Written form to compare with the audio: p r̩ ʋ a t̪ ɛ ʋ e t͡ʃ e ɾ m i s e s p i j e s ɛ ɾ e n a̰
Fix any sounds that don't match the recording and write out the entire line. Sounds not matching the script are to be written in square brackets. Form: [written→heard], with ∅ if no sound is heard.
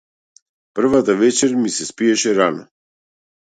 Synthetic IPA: p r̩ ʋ a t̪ [ɛ→a] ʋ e t͡ʃ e ɾ m i s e s p i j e [s→ʃ] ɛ ɾ [e→a] n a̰